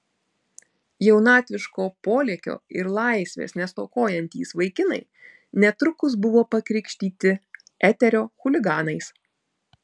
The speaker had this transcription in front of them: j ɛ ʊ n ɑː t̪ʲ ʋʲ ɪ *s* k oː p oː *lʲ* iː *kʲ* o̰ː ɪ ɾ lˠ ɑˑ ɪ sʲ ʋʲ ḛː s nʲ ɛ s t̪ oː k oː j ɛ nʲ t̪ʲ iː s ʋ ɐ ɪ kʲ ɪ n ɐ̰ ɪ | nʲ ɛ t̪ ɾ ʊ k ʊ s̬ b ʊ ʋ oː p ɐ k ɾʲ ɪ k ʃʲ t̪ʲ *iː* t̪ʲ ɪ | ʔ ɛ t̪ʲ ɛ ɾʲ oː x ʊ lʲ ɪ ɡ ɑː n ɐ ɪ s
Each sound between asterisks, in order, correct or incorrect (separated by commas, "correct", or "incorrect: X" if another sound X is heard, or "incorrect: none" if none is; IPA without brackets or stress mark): incorrect: ʃ, correct, correct, correct